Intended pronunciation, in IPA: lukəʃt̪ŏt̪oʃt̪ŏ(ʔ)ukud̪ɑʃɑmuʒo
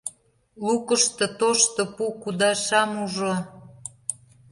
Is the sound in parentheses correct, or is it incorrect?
incorrect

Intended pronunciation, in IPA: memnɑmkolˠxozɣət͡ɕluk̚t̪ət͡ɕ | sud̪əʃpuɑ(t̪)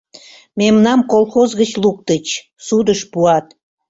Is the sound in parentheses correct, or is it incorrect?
correct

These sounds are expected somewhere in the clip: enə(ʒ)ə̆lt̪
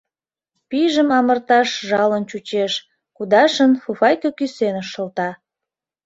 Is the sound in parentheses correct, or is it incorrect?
incorrect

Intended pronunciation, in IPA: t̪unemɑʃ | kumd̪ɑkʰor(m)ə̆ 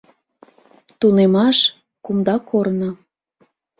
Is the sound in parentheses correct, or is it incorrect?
incorrect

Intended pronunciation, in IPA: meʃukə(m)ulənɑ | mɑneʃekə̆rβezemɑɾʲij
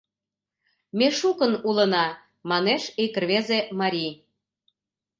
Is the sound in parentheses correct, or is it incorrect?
incorrect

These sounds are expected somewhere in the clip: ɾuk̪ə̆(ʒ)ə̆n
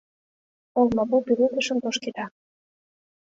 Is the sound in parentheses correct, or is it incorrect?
incorrect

